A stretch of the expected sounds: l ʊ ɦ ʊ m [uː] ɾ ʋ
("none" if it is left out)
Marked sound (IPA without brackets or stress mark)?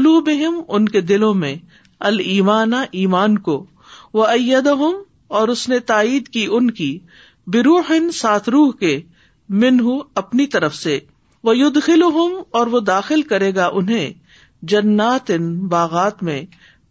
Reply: ɔː